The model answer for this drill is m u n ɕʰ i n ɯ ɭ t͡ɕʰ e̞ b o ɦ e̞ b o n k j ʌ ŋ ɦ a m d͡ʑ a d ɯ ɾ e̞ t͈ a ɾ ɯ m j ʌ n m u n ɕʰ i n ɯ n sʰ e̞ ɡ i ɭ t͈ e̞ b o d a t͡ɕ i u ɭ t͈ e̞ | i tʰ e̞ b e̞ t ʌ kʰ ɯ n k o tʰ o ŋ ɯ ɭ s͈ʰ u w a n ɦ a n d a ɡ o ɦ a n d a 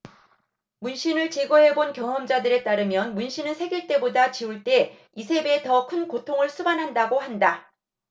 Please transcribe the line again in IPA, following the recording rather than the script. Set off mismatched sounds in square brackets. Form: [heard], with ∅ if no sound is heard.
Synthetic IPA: m u n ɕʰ i n ɯ ɭ [t͡ɕ] e̞ [ɡ] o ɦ e̞ b o n k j ʌ ŋ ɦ [ʌ] m d͡ʑ a d ɯ ɾ e̞ t͈ a ɾ ɯ m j ʌ n m u n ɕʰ i n ɯ n sʰ e̞ ɡ i ɭ t͈ e̞ b o d a t͡ɕ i u ɭ t͈ e̞ | i [sʰ] e̞ b e̞ t ʌ kʰ ɯ n k o tʰ o ŋ ɯ ɭ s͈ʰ u [b] a n ɦ a n d a ɡ o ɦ a n d a